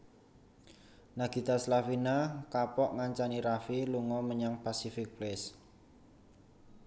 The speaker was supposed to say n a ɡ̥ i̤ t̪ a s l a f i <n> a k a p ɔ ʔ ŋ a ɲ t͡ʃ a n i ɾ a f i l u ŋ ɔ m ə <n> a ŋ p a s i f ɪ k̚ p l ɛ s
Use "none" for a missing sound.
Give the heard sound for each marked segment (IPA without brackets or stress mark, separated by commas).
n, ɲ